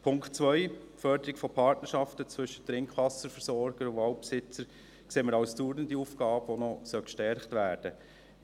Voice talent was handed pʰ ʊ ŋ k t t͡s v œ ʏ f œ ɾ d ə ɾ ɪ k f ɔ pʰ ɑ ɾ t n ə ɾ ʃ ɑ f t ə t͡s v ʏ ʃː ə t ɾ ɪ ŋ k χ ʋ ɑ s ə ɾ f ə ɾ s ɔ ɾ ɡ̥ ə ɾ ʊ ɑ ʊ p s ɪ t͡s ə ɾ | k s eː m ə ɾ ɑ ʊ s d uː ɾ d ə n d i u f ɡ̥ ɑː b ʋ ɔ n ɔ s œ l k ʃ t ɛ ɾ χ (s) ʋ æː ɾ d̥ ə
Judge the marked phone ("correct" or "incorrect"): incorrect